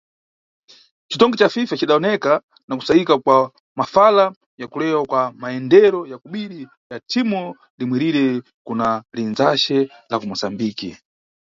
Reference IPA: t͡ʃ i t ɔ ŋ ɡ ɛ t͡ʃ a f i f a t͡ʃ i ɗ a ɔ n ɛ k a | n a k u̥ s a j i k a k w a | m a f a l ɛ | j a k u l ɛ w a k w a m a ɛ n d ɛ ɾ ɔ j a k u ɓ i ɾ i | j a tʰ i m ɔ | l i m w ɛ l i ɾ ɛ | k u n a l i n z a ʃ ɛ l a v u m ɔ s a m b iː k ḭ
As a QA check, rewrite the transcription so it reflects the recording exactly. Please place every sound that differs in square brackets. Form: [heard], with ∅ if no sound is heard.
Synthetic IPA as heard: t͡ʃ i t ɔ ŋ ɡ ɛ t͡ʃ a f i f a t͡ʃ i ɗ a ɔ n ɛ k a | n a k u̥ s a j i k a k w a | m a f a l [a] | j a k u l ɛ w a k w a m a ɛ n d ɛ ɾ ɔ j a k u ɓ i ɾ i | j a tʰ i m ɔ | l i m w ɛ [ɾ] i ɾ ɛ | k u n a l i n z a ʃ ɛ l a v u m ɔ s a m b iː k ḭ